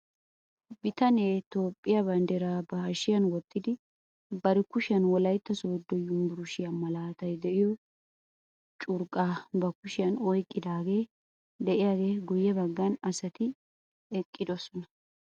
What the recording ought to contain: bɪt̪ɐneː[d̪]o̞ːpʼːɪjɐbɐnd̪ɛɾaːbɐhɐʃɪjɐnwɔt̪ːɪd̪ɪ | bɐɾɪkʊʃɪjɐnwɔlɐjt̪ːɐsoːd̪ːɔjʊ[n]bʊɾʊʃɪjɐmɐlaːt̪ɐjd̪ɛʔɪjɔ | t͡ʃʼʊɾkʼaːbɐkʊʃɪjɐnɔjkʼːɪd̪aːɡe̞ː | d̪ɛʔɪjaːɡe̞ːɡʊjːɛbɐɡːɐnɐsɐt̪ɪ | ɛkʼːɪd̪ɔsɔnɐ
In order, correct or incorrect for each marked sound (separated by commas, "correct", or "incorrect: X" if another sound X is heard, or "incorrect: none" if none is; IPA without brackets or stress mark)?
incorrect: t̪, incorrect: m